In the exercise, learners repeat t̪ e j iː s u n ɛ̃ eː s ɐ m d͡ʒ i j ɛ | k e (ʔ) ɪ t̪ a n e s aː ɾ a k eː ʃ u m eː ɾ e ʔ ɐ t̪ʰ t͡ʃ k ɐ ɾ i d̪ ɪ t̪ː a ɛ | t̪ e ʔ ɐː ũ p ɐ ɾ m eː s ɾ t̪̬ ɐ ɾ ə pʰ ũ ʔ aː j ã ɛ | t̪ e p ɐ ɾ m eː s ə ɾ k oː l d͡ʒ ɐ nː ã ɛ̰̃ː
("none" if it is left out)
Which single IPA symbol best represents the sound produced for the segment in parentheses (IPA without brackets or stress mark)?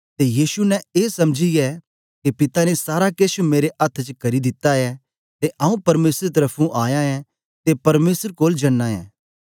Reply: p